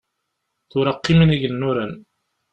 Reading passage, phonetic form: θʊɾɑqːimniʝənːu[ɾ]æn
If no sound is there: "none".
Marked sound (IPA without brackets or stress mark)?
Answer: ɾ